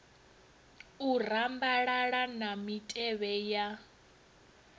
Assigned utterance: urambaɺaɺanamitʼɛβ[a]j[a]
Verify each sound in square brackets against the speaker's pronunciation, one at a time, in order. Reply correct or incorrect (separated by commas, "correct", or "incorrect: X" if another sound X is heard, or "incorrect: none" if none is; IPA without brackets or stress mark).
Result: incorrect: ɛ, correct